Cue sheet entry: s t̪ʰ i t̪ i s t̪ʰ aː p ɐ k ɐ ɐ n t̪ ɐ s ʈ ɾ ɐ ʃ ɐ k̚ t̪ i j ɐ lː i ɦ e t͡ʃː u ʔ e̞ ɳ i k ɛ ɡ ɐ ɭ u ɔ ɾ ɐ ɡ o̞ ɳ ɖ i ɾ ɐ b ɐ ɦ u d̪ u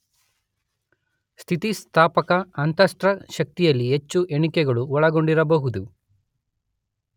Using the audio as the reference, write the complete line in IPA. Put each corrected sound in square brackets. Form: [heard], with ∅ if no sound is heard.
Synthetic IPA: s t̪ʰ i t̪ i s t̪ʰ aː p ɐ k ɐ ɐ n t̪ ɐ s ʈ ɾ ɐ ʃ ɐ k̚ t̪ i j ɐ lː i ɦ e t͡ʃː u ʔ e̞ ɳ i k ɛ ɡ ɐ ɭ u ɔ [ɭ] ɐ ɡ o̞ ɳ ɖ i ɾ ɐ b ɐ ɦ u d̪ u